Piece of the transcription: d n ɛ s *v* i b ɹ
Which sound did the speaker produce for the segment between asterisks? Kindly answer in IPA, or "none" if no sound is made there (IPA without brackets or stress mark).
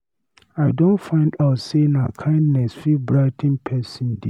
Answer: f